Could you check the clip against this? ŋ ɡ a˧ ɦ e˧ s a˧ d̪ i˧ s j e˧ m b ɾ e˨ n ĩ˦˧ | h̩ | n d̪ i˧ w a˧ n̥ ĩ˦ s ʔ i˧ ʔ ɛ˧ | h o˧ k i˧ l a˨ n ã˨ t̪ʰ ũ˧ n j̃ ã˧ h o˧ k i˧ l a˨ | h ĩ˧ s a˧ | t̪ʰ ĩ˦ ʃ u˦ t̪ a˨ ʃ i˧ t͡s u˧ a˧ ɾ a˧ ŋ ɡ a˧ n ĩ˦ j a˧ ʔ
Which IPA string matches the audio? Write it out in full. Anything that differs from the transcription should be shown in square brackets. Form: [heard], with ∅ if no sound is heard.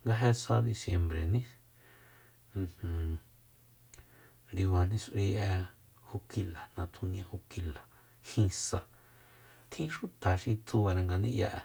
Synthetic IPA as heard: ŋ ɡ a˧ ɦ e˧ s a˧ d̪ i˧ s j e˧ m b ɾ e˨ n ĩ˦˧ | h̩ | n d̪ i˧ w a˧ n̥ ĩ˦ s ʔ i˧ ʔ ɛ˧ | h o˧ k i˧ l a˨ n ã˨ t̪ʰ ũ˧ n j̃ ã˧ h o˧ k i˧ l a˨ | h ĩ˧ s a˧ | t̪ʰ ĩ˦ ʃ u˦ t̪ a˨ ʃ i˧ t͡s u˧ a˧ ɾ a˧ ŋ ɡ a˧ n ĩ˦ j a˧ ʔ